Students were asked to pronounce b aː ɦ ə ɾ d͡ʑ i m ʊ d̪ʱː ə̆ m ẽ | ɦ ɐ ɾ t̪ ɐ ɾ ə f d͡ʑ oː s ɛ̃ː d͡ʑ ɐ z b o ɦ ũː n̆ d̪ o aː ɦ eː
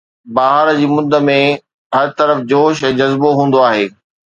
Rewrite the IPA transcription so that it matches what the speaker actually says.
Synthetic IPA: b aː ɦ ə ɾ d͡ʑ iː m ʊ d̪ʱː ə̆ m ẽ | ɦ ɐ ɾ t̪ ɐ ɾ ə f d͡ʑ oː ʃ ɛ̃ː d͡ʑ ɐ z b o ɦ ũː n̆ d̪ o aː ɦ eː